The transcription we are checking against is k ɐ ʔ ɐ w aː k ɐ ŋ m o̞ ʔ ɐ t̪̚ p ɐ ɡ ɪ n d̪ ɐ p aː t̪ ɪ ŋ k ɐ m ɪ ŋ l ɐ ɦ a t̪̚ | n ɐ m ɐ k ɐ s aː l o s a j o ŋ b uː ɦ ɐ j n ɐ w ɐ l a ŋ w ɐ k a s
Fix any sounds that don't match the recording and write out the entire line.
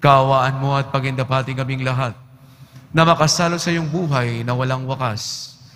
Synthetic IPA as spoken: k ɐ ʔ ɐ w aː ʔ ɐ n m o̞ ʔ ɐ t̪̚ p ɐ ɡ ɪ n d̪ ɐ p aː t̪ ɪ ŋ k ɐ m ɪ ŋ l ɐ ɦ a t̪̚ | n ɐ m ɐ k ɐ s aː l o s ɐ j o ŋ b uː ɦ ɐ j n ɐ w ɐ l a ŋ w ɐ k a s